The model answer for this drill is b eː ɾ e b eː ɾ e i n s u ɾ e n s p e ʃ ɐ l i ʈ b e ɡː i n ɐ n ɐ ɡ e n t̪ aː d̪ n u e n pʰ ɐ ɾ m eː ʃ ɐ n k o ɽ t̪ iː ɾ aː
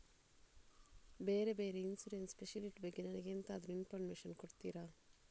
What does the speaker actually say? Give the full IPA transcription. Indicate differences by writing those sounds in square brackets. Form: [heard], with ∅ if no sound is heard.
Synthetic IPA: b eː ɾ e b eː ɾ e i n s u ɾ e n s p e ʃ ɐ l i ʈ b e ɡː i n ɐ n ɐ ɡ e n t̪ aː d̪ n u [i] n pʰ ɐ ɾ m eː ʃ ɐ n k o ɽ t̪ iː ɾ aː